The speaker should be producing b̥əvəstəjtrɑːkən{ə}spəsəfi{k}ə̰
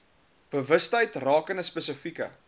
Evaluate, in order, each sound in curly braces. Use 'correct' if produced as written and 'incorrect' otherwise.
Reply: correct, correct

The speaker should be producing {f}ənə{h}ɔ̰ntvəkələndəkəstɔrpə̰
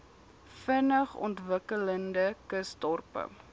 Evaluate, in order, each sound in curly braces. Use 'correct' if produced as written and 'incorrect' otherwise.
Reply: correct, incorrect

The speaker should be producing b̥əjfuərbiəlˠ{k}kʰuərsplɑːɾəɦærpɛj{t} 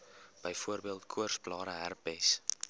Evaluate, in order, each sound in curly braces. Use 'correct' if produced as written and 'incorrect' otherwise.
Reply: incorrect, incorrect

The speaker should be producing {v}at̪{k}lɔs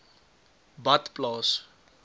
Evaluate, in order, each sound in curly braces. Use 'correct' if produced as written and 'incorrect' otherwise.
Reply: incorrect, incorrect

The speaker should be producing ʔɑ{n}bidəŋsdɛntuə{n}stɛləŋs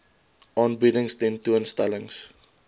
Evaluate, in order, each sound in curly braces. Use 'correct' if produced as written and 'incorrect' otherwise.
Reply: correct, correct

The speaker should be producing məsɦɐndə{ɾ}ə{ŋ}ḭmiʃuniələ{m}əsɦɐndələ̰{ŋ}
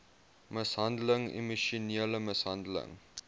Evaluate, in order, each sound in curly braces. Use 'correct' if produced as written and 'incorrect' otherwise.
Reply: incorrect, correct, correct, correct

